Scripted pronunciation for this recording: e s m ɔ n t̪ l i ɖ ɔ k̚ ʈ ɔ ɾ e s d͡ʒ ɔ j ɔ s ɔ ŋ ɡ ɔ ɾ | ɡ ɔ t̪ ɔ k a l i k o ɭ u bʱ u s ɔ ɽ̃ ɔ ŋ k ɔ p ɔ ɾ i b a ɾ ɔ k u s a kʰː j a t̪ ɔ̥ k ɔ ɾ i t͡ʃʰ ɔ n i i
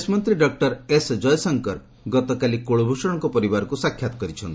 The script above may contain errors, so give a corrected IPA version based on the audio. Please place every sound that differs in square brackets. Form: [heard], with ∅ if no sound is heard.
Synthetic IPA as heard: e s m ɔ n t̪ [ɾ] i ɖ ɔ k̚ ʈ ɔ ɾ e s d͡ʒ ɔ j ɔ s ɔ ŋ [k] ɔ ɾ | ɡ ɔ t̪ ɔ k a l i k o ɭ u bʱ u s ɔ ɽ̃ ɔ ŋ k ɔ p ɔ ɾ i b a ɾ ɔ k u s a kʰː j a t̪ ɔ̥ k ɔ ɾ i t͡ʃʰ ɔ n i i

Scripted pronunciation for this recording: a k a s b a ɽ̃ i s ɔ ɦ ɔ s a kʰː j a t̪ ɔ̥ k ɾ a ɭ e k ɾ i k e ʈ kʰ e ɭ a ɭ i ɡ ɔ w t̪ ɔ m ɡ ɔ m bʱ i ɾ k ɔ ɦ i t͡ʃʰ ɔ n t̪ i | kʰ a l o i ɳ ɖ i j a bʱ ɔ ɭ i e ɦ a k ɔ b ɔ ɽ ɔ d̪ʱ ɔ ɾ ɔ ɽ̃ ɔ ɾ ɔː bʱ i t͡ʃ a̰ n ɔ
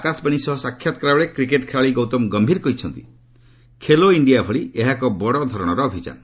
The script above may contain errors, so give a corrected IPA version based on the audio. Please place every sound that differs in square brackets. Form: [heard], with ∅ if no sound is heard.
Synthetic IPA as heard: a k a s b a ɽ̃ i s ɔ ɦ ɔ s a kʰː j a t̪ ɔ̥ k ɾ a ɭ e k ɾ i k e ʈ kʰ e ɭ a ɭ i ɡ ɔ w t̪ ɔ m ɡ ɔ m bʱ i ɾ k ɔ ɦ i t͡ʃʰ ɔ n t̪ i | kʰ [e] l o i ɳ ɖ i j a bʱ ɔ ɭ i e ɦ a k ɔ b ɔ ɽ ɔ d̪ʱ ɔ ɾ ɔ ɽ̃ ɔ ɾ ɔː bʱ i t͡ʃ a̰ n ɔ

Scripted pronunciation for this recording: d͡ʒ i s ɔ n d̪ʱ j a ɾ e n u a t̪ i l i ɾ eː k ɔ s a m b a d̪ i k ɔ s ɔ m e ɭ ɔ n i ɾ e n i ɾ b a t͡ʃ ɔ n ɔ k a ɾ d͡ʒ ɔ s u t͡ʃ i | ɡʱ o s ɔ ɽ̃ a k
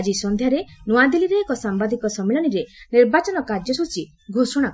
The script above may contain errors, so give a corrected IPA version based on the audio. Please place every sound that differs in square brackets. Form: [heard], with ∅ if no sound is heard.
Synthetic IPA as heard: d͡ʒ i s ɔ n d̪ʱ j a ɾ e n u a [d̪] i l i ɾ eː k ɔ s a m b a d̪ i k ɔ s ɔ m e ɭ ɔ n i ɾ e n i ɾ b a t͡ʃ ɔ n ɔ k a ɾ d͡ʒ ɔ s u t͡ʃ i | ɡʱ o s ɔ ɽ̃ a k

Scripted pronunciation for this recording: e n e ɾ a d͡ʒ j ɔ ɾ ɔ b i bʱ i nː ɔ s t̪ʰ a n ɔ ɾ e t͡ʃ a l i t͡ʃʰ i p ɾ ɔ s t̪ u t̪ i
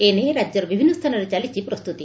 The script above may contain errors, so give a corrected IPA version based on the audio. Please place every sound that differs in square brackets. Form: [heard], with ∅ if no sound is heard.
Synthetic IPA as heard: e n e ɾ a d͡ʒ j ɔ ɾ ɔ b i bʱ i nː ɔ s t̪ʰ a n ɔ ɾ e t͡ʃ a l i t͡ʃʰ i p ɾ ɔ s t̪ u t̪ i

